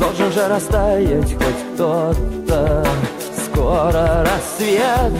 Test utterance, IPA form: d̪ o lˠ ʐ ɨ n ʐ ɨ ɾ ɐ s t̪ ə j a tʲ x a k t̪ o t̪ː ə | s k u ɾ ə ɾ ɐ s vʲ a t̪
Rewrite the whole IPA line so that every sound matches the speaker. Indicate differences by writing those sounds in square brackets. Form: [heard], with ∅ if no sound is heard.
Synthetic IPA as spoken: d̪ o lˠ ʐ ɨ n ʐ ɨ ɾ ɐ s t̪ [a] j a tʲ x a k t̪ o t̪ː ə | s k [o] ɾ ə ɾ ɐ s vʲ [e] t̪